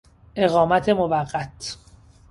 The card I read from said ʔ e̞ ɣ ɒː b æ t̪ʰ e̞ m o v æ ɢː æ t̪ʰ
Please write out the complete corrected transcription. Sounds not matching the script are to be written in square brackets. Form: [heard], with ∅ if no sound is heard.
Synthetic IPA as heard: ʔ e̞ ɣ ɒː [m] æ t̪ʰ e̞ m o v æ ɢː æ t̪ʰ